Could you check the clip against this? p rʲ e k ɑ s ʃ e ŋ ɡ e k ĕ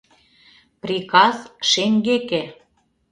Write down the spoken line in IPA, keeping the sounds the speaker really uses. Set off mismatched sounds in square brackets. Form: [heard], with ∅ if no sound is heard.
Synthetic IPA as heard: p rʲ [i] k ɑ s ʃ e ŋ ɡ e k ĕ